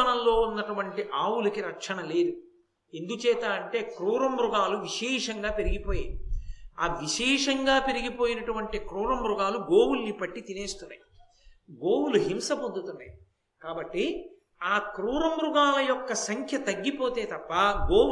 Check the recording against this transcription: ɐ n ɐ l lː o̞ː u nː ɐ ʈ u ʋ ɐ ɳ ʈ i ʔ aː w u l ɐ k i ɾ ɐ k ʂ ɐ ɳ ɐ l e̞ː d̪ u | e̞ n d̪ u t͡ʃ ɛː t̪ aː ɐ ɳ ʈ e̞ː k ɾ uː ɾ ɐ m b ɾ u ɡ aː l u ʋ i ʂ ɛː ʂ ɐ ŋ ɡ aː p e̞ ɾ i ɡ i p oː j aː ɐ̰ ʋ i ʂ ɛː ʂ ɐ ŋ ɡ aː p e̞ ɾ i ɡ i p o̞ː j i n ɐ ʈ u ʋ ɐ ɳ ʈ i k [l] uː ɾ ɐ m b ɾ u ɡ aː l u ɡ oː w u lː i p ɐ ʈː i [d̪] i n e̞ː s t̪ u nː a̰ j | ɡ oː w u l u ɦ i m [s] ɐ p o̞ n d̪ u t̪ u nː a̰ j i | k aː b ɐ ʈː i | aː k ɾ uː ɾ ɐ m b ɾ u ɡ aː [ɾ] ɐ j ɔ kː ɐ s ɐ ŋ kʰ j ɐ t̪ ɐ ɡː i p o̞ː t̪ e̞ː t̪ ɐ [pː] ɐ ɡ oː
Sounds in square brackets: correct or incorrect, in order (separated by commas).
incorrect, incorrect, correct, incorrect, correct